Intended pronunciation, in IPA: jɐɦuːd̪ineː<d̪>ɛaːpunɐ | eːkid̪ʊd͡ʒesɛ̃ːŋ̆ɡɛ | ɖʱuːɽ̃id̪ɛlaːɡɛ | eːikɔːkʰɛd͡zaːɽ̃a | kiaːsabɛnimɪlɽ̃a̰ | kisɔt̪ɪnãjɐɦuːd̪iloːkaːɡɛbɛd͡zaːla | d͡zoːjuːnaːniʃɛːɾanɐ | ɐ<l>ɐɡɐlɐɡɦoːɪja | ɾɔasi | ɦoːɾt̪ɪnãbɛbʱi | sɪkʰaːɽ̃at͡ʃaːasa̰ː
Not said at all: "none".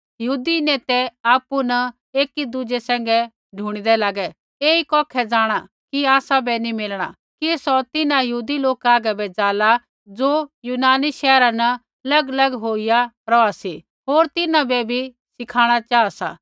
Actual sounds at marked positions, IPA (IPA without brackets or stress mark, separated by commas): t̪, l